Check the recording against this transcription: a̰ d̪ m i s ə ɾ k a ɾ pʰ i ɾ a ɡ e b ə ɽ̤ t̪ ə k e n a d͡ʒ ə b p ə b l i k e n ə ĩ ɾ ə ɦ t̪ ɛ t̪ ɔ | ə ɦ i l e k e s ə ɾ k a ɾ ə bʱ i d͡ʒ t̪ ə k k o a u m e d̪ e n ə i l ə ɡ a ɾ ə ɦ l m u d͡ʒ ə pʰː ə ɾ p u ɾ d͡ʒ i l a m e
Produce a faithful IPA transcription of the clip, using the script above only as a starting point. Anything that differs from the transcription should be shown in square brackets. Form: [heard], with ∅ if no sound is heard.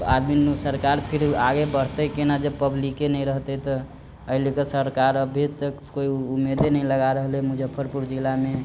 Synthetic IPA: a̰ d̪ m i s ə ɾ k a ɾ pʰ i ɾ a ɡ e b ə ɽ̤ t̪ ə k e n a d͡ʒ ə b p ə b l i k e n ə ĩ ɾ ə ɦ t̪ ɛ t̪ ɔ | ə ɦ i l e k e s ə ɾ k a ɾ ə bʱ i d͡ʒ t̪ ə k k o [i] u m e d̪ e n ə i l ə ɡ a ɾ ə ɦ l m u d͡ʒ ə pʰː ə ɾ p u ɾ d͡ʒ i l a m e